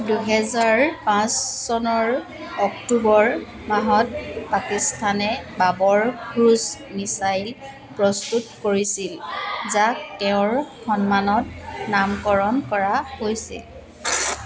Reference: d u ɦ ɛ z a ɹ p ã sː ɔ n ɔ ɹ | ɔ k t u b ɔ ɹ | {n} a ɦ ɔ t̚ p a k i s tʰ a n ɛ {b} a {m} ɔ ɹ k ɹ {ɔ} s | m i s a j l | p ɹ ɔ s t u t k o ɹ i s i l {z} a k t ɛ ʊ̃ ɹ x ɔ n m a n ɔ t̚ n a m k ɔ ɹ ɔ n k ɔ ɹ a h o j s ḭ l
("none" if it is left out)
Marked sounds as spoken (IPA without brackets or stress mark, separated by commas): m, b, b, u, z